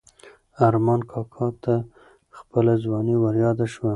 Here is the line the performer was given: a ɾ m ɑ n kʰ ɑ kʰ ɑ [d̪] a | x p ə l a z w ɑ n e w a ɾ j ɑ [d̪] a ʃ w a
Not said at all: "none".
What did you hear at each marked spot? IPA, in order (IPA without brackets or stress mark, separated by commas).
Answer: t̪, d̪